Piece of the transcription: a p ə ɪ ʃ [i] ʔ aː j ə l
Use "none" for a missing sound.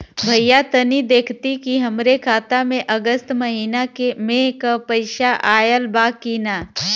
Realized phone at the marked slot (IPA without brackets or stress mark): a